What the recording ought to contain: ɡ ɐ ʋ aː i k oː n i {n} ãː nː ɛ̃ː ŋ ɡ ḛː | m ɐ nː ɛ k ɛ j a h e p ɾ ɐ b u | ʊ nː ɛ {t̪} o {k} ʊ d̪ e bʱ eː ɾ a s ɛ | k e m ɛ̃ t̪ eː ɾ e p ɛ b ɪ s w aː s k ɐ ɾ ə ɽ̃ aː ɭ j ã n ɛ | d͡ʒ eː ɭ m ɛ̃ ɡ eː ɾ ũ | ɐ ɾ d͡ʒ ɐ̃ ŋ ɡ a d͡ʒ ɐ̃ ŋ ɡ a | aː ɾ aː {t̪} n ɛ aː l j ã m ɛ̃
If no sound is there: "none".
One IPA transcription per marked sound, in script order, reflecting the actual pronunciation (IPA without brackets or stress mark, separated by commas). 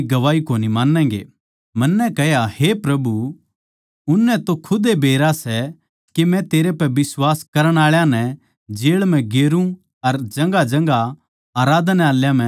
m, t̪, kʰ, d̪